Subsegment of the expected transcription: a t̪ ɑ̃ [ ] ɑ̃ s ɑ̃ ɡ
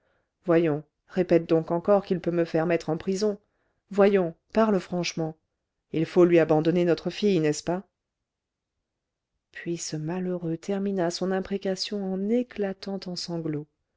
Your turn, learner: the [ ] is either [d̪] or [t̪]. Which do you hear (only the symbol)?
t̪